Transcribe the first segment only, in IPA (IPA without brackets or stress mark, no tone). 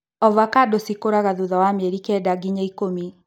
ɔ